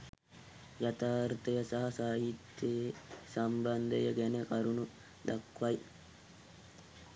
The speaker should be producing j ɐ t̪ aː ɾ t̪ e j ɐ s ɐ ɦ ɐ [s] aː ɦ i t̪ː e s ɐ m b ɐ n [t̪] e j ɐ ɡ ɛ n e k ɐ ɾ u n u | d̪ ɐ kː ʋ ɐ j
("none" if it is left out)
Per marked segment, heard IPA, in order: s, d̪

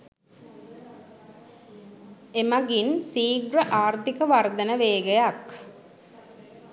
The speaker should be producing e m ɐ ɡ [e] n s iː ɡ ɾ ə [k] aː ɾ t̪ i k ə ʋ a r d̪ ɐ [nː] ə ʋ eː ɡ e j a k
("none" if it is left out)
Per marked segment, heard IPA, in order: i, ʔ, n

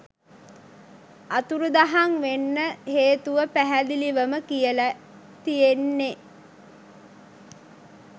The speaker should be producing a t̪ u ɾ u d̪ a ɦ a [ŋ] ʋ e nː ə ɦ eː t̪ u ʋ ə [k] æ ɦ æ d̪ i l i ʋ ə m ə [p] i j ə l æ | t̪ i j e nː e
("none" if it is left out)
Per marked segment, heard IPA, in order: ŋ, p, k

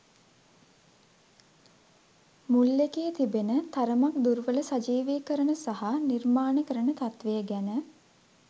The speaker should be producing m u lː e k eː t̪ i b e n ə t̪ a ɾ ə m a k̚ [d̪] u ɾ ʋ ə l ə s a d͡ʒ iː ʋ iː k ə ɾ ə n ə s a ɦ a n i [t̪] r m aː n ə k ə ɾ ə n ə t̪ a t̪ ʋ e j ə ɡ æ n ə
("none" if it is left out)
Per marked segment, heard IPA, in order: d̪, none

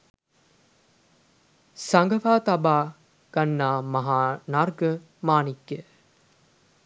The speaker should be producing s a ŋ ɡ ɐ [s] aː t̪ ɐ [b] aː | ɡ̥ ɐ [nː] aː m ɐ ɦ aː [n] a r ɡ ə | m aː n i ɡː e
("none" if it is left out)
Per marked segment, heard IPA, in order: f, b, nː, n

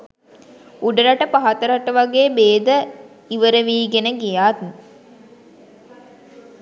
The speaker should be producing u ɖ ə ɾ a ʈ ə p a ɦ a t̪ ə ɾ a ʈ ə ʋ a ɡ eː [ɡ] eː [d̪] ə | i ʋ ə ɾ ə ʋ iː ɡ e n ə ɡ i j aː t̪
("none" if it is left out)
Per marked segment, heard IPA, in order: b, d̪

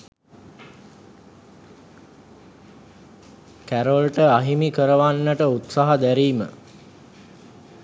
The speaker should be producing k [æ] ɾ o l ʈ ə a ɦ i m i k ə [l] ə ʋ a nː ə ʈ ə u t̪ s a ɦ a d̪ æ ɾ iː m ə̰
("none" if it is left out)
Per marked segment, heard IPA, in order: æ, ɾ

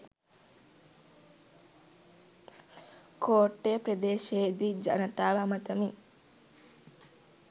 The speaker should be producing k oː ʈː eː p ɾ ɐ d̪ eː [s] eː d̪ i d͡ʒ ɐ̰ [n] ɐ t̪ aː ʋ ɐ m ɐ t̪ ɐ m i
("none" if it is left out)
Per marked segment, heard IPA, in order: ʃ, n

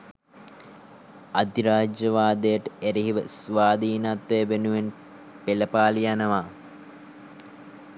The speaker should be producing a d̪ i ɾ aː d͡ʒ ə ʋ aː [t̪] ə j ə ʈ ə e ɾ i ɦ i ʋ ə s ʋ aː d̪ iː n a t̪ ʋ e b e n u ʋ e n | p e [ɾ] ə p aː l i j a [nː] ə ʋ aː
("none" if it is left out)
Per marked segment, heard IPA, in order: d̪, l, n

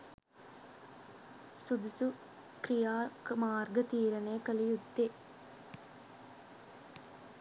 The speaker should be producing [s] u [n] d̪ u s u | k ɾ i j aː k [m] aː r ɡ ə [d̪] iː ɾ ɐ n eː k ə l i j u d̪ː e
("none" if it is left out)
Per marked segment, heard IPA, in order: s, none, m, t̪

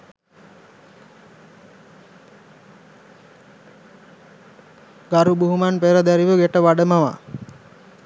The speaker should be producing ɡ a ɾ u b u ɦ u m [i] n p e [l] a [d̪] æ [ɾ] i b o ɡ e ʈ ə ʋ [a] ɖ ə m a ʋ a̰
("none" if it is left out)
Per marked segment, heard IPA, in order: a, ɾ, d̪, ɾ, a

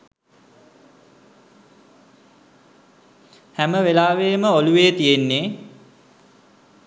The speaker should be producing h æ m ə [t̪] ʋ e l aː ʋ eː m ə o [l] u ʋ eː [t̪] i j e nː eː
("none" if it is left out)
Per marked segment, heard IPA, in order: none, l, t̪

